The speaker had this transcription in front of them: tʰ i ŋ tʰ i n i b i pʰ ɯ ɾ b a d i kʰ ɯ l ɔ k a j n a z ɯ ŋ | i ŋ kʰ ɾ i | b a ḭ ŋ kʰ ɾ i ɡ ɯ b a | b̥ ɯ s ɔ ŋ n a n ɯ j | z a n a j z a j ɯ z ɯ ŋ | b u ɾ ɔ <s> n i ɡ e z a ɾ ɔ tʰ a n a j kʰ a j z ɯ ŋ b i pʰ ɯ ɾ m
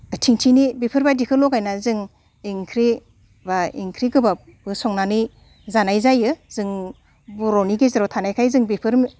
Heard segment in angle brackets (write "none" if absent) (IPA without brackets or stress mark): none